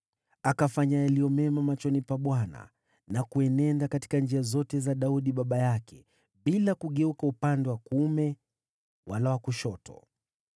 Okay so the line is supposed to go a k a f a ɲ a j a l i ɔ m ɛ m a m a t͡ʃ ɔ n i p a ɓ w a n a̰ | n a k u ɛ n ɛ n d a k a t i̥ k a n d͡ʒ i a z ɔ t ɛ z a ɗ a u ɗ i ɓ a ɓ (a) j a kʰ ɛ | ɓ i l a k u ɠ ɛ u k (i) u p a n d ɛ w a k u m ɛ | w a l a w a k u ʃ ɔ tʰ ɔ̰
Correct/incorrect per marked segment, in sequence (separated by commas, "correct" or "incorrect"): correct, incorrect